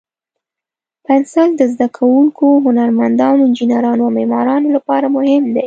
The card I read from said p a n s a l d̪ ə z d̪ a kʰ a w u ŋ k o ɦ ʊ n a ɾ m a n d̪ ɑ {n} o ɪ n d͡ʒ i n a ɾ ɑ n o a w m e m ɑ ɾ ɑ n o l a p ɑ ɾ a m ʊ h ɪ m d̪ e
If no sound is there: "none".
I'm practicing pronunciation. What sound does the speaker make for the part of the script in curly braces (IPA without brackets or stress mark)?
n